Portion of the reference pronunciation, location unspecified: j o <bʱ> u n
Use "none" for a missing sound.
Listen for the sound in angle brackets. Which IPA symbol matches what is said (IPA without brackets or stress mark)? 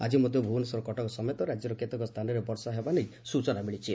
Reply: bʱ